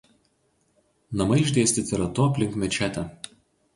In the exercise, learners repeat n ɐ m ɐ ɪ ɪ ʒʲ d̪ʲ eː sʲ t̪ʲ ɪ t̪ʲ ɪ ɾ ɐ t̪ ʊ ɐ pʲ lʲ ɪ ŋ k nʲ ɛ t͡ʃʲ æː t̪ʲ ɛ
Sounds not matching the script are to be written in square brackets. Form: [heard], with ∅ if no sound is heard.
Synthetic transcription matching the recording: n ɐ m ɐ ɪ ɪ ʒʲ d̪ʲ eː sʲ t̪ʲ ɪ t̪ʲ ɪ ɾ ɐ t̪ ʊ ɐ pʲ lʲ ɪ ŋ k [mʲ] ɛ t͡ʃʲ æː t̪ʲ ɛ